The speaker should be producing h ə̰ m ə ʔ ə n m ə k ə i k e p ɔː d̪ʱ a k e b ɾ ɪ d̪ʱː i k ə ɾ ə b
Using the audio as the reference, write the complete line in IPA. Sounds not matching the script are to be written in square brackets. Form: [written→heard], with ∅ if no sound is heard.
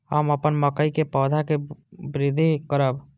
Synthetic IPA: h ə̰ m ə [ʔ→p] ə n m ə k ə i k e p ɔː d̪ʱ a k e b ɾ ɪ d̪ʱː i k ə ɾ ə b